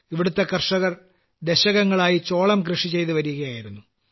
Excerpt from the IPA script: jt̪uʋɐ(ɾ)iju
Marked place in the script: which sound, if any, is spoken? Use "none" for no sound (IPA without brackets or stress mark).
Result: ɾ